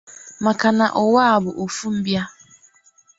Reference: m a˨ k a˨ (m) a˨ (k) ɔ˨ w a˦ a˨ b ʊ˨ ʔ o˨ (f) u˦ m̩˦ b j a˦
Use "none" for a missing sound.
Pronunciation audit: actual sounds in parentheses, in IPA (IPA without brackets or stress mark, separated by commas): n, ʔ, f